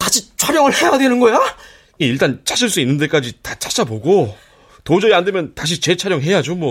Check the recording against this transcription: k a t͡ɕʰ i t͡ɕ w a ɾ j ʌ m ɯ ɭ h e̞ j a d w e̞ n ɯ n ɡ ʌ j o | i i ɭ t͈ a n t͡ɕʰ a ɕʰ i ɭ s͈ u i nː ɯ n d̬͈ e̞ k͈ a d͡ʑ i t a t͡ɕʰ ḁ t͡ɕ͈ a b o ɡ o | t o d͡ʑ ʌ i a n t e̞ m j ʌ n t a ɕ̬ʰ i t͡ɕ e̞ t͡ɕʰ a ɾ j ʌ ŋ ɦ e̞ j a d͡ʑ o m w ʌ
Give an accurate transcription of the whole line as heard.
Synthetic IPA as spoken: k a t͡ɕʰ i t͡ɕʰ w a ɾ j ʌ ŋ ɯ ɭ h e̞ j a d w e̞ n ɯ n ɡ ʌ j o | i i ɭ t͈ a n t͡ɕʰ a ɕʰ i ɭ s͈ u i nː ɯ n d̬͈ e̞ k͈ a d͡ʑ i t a t͡ɕʰ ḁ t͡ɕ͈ a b o ɡ o | t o d͡ʑ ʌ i a n d e̞ m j ʌ n t a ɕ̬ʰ i t͡ɕ e̞ t͡ɕʰ a ɾ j ʌ ŋ ɦ e̞ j a d͡ʑ o m w ʌ